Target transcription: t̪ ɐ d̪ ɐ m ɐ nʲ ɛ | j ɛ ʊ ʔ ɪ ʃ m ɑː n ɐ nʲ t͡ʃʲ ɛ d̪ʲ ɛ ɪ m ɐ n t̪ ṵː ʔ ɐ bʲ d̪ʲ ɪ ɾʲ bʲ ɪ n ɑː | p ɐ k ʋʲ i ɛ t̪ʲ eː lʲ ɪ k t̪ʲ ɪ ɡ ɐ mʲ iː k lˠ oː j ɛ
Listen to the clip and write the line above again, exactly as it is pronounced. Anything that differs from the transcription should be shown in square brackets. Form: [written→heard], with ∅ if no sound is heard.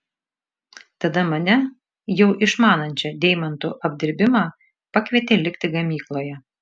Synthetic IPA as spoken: t̪ ɐ d̪ ɐ m ɐ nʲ ɛ | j ɛ ʊ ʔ ɪ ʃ m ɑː n ɐ nʲ t͡ʃʲ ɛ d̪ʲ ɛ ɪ m ɐ n t̪ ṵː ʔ ɐ bʲ d̪ʲ ɪ ɾʲ bʲ ɪ [n→m] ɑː | p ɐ k ʋʲ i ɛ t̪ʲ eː lʲ ɪ k t̪ʲ ɪ ɡ ɐ mʲ iː k lˠ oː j ɛ